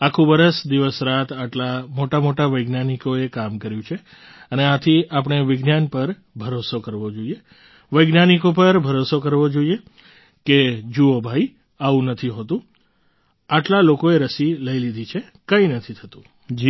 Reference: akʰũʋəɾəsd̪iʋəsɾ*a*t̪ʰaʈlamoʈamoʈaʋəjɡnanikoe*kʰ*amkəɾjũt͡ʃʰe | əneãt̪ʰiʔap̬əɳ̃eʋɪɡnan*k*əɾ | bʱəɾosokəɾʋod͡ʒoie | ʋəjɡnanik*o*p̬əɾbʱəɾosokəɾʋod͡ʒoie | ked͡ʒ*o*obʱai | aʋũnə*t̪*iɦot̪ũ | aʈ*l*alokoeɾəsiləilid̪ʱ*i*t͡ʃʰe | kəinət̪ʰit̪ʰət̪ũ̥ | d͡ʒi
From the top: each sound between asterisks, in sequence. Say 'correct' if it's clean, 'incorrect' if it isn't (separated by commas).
correct, incorrect, incorrect, correct, incorrect, incorrect, correct, correct